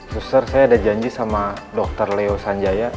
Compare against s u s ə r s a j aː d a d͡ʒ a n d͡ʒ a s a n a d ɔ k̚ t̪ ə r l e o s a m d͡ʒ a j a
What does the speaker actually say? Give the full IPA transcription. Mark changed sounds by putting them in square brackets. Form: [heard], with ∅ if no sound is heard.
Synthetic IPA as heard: s u s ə r s a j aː d a d͡ʒ a [ɲ] d͡ʒ [i] s a [m] a d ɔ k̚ t̪ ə r l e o s a [ɲ] d͡ʒ a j a